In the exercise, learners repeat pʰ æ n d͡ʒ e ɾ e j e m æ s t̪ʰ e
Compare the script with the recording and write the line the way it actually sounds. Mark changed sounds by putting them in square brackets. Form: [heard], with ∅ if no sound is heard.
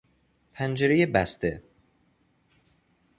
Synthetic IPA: pʰ æ n d͡ʒ e ɾ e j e [b] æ s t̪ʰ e